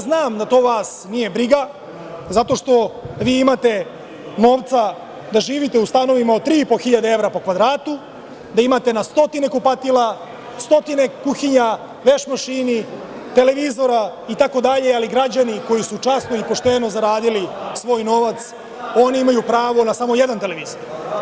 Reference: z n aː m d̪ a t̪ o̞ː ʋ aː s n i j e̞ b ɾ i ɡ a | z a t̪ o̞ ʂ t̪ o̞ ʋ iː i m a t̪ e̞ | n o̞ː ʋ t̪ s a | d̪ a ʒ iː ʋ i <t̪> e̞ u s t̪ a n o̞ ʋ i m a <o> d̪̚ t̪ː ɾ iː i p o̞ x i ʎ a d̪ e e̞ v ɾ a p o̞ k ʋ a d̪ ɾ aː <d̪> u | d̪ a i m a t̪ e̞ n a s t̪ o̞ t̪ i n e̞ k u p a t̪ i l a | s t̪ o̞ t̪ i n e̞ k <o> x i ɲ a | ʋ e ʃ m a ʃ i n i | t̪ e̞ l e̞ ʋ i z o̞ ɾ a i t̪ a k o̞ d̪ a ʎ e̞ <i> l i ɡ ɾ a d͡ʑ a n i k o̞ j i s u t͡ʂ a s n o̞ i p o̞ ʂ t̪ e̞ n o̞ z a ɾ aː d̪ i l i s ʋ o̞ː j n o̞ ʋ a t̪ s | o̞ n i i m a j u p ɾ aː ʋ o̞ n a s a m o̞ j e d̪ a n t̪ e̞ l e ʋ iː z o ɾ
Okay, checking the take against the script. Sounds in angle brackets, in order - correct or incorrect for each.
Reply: correct, correct, incorrect, incorrect, incorrect

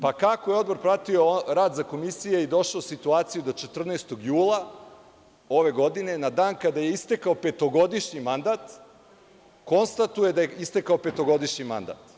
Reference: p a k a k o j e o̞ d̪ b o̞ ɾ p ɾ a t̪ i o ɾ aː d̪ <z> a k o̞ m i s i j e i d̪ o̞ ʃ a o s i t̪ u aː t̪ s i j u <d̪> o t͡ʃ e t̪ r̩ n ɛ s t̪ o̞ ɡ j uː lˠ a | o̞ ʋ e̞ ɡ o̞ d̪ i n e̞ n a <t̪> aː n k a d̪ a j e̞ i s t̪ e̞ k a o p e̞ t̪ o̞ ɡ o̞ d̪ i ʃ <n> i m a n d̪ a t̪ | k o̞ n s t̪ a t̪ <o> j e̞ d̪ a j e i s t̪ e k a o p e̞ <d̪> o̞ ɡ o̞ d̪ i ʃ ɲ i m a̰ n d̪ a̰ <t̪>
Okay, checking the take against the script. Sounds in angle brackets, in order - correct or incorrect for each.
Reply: correct, correct, incorrect, incorrect, incorrect, incorrect, correct

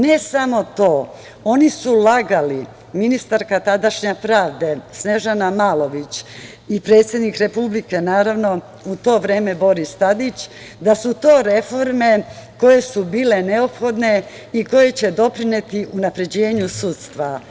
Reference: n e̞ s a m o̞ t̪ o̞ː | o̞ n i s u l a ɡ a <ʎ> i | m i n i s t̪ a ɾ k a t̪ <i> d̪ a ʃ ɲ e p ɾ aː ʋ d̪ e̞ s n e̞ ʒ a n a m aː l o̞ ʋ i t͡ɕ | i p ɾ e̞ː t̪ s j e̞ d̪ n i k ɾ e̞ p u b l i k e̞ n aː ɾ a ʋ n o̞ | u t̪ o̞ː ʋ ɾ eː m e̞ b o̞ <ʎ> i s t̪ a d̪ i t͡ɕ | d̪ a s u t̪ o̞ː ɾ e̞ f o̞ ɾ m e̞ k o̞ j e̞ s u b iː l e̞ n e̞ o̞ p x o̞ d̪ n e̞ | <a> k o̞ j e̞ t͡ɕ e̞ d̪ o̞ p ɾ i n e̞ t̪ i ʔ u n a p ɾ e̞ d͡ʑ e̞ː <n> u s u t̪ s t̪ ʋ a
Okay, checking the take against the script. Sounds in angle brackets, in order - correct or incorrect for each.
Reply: incorrect, incorrect, incorrect, incorrect, incorrect

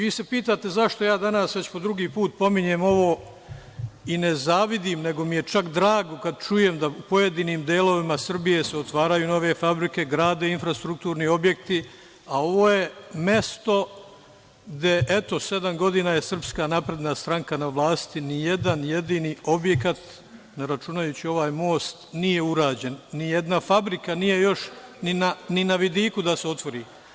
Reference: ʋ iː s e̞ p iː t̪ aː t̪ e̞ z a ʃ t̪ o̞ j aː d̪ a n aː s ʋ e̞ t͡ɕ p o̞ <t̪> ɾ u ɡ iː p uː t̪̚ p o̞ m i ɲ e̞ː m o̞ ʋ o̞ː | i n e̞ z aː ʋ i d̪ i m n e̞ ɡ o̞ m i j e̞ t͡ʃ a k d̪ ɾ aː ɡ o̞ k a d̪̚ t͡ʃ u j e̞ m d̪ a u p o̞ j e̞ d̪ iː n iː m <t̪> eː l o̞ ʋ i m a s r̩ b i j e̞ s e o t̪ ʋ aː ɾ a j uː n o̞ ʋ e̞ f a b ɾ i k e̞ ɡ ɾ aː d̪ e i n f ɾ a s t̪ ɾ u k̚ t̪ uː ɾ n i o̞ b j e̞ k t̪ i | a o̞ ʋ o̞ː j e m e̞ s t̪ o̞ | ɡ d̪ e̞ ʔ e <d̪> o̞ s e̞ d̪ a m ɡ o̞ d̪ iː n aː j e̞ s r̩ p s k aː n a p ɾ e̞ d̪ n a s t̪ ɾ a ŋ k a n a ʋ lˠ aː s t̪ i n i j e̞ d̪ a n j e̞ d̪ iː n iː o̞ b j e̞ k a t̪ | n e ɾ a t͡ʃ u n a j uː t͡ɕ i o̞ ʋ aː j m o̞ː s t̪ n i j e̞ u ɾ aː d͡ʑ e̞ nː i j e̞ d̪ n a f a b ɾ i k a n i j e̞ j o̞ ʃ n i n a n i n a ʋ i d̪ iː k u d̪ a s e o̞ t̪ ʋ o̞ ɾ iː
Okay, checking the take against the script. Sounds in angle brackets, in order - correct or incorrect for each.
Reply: incorrect, incorrect, incorrect

